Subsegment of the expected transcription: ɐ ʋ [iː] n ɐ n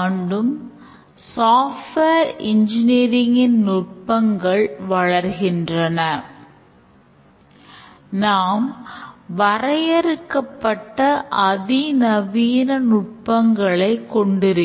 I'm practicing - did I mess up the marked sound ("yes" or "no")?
no